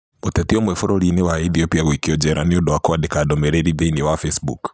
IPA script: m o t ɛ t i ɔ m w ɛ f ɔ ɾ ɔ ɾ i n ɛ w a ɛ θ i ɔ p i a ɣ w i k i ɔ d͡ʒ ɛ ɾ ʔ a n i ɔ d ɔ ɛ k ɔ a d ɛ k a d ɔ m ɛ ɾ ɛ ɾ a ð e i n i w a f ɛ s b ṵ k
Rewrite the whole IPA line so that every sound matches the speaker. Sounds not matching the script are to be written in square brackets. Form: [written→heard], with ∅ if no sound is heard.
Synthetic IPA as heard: m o t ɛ t i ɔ m w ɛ f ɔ ɾ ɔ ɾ i n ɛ w a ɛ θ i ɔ p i a ɣ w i k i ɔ d͡ʒ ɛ ɾ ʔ a n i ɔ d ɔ [ɛ→a] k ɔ a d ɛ k a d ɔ m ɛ ɾ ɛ ɾ [a→i] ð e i n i w a f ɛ s b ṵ k

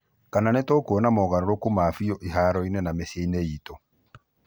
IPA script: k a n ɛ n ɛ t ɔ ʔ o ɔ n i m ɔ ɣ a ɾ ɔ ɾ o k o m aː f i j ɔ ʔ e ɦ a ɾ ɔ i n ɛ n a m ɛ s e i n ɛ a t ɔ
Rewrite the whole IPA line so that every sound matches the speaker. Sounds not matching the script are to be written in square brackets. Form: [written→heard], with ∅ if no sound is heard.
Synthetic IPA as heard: k a n [ɛ→a] n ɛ t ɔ [ʔ→k] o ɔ n [i→a] m ɔ ɣ a ɾ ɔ ɾ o k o m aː f i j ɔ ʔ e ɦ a ɾ ɔ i n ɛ n a m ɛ s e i n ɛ [a→i] t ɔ

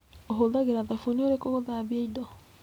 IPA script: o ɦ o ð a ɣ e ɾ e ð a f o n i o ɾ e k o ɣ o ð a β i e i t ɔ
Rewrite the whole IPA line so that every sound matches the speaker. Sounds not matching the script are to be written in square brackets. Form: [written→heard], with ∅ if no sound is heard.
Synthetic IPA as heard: o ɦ o ð a ɣ e ɾ [e→a] ð a f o n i o ɾ e k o ɣ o ð a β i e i [t→d] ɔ

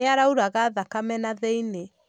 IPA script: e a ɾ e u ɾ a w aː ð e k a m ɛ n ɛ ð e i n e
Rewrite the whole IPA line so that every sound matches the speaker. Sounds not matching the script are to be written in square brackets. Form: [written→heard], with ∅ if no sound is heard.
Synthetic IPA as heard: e a ɾ [e→a] u ɾ a [w→ɣ] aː ð [e→a] k a m ɛ n [ɛ→a] ð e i n e

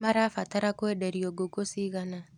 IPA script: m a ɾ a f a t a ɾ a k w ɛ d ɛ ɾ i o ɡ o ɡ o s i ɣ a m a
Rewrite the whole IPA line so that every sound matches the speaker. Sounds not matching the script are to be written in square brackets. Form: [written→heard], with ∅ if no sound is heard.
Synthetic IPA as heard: m a ɾ a f a t a ɾ a k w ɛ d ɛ ɾ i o ɡ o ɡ o s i ɣ a [m→n] a

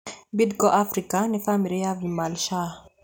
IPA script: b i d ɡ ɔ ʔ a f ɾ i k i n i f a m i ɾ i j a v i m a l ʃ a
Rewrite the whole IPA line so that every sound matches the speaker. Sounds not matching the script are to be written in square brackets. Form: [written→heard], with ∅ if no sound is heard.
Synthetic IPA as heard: b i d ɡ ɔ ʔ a f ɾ i k [i→a] n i f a m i ɾ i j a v i m a l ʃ a

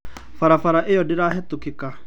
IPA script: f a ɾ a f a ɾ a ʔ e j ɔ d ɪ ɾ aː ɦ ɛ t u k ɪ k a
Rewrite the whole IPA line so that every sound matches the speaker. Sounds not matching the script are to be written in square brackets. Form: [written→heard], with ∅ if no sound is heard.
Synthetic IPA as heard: f a ɾ a f a ɾ a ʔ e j ɔ d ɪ ɾ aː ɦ ɛ t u k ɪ k a

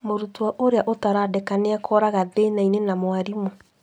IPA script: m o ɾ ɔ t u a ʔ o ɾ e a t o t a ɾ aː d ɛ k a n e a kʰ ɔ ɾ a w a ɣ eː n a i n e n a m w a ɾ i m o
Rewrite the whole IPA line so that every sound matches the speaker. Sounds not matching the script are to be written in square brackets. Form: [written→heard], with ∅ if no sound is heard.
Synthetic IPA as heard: m o ɾ [ɔ→u] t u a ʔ o ɾ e a [t→ʔ] o t a ɾ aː d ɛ k a n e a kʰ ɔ ɾ a [w→ɣ] a [ɣ→ð] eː n a i n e n a m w a ɾ i m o

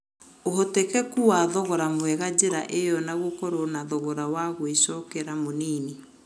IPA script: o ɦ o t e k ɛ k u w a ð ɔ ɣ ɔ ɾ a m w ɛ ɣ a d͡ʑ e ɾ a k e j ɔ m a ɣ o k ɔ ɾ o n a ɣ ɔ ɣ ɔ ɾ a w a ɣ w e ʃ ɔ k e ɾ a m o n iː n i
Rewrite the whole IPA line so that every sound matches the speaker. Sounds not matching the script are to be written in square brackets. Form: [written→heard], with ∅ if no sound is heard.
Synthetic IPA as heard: o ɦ o t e k ɛ k u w a ð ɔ ɣ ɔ ɾ a m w ɛ ɣ a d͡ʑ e ɾ a [k→ʔ] e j ɔ [m→n] a ɣ o k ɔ ɾ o n a [ɣ→ð] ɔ ɣ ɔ ɾ a w a ɣ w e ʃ ɔ k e ɾ a m o n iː n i

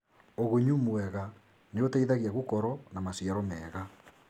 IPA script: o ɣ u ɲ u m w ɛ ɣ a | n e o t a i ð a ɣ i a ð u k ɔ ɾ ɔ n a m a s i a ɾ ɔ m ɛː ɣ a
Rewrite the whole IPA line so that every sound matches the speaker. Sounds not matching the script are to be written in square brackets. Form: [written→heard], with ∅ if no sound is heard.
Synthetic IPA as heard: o ɣ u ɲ u m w ɛ ɣ a | n e o t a i ð a ɣ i a [ð→ɣ] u k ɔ ɾ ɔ n a m a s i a ɾ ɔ m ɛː ɣ a

